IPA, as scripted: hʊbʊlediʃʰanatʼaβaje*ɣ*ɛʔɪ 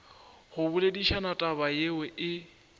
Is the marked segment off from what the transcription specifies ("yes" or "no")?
yes